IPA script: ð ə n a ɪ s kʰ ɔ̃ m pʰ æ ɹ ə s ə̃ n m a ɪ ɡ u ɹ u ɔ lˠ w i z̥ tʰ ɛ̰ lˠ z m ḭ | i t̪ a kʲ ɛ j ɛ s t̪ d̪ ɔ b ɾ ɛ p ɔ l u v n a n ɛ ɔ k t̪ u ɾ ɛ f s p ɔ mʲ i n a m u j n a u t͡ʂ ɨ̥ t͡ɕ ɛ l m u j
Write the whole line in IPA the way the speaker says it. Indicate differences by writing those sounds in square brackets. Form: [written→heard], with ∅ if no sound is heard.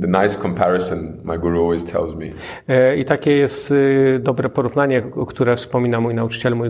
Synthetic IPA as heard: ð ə n a ɪ s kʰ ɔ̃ m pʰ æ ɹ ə s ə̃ n m a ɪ ɡ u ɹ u ɔ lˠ w i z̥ tʰ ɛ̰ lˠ z m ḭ | i t̪ a kʲ ɛ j ɛ s t̪ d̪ ɔ b ɾ ɛ p ɔ [l→ɾ] u v n a [n→ɲ] ɛ ɔ k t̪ u ɾ ɛ f s p ɔ mʲ i n a m u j n a u t͡ʂ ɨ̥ t͡ɕ ɛ l m u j